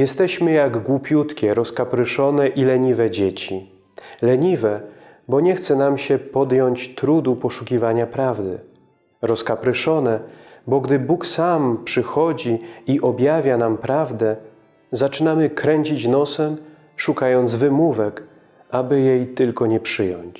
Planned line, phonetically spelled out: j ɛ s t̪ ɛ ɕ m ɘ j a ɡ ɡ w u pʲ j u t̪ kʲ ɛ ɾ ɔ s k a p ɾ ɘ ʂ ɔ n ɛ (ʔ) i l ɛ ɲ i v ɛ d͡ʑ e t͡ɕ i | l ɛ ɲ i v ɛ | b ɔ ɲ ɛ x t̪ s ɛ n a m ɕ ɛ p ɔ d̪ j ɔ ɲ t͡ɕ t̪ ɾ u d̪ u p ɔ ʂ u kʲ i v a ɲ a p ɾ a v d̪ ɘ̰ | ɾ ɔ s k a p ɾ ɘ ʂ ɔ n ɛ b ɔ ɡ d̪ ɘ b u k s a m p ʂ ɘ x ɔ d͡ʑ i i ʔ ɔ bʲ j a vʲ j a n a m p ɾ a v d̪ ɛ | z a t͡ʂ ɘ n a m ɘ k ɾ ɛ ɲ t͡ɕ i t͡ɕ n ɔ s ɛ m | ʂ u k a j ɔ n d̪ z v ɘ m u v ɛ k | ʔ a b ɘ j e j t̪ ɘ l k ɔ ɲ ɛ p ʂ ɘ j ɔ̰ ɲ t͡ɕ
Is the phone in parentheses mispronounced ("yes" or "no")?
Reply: no